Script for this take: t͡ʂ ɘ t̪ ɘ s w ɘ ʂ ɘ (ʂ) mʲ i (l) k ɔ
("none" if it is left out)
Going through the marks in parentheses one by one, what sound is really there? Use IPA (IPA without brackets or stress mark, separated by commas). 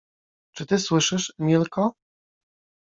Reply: ʂ, l